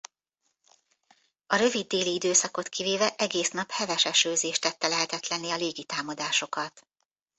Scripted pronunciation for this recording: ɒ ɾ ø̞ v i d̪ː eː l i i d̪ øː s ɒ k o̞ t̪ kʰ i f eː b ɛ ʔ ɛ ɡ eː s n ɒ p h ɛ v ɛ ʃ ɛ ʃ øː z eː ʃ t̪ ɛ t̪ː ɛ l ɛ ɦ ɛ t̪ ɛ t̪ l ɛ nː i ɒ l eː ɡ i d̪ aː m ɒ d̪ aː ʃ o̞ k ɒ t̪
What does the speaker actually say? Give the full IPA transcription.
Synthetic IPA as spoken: ɒ ɾ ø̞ v i d̪ː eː l i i d̪ øː s ɒ k o̞ t̪ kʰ i v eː v ɛ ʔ ɛ ɡ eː s n ɒ p h ɛ v ɛ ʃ ɛ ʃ øː z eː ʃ t̪ ɛ t̪ː ɛ l ɛ ɦ ɛ t̪ ɛ t̪ l ɛ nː i ɒ l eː ɡ i t̪ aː m ɒ d̪ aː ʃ o̞ k ɒ t̪